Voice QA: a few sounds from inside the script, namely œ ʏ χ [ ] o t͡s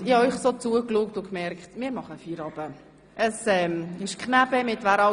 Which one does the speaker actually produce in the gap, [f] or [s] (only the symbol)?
s